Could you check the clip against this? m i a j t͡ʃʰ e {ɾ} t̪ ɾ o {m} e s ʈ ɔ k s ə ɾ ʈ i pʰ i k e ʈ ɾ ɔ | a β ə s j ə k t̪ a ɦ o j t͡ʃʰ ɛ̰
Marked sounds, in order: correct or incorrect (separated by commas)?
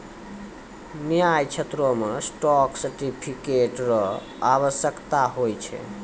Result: incorrect, correct